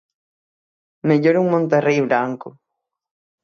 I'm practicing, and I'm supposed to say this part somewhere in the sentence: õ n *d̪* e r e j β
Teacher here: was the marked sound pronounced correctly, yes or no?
no